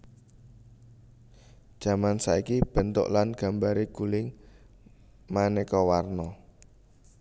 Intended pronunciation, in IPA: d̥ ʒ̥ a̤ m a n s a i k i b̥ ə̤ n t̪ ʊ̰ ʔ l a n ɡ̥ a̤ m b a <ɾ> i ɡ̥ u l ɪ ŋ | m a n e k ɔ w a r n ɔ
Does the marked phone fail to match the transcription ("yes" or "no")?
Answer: no